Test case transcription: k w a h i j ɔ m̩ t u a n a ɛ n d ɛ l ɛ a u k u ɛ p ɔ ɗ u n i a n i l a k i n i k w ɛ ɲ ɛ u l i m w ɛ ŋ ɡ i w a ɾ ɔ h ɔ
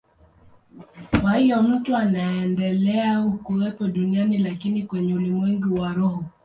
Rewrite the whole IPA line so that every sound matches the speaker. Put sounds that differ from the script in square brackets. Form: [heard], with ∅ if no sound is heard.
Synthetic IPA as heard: k w a h i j ɔ m̩ t u a n a ɛ n d ɛ l ɛ a u k u ɛ p ɔ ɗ u n i a n i l a k i n i k w ɛ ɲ ɛ u l i m w ɛ ŋ ɡ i w a ɾ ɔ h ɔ